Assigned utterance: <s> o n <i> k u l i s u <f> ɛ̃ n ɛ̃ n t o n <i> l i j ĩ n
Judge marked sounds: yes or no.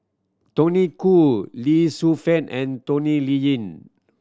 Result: no, yes, yes, yes

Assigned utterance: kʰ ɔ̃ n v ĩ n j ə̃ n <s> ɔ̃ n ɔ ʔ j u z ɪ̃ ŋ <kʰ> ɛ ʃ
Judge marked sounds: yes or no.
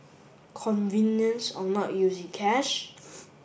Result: yes, yes

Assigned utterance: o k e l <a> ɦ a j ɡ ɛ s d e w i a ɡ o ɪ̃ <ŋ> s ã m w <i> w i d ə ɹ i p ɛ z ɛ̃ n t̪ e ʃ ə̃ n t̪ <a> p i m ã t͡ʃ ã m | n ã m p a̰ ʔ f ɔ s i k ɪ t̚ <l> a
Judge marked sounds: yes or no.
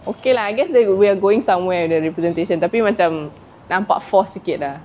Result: yes, yes, no, yes, yes

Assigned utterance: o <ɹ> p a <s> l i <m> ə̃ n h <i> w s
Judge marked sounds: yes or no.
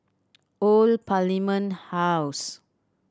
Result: no, no, yes, no

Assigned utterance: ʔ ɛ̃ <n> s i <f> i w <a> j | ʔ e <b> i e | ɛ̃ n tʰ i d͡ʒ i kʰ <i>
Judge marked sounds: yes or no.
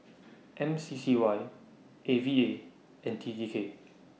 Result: no, no, yes, no, no

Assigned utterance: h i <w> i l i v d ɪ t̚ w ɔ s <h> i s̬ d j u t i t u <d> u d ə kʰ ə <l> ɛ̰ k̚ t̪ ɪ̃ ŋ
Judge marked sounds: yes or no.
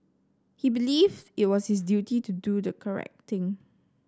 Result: no, yes, yes, no

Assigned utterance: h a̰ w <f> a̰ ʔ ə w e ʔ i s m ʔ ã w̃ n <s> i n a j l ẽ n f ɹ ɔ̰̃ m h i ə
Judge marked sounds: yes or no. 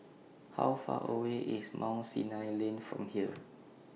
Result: yes, yes

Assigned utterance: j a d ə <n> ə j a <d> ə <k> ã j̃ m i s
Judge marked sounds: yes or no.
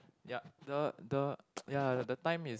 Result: no, yes, no

